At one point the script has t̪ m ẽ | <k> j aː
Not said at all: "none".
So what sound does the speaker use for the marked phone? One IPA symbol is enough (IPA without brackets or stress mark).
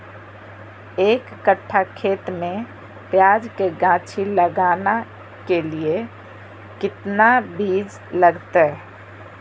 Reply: p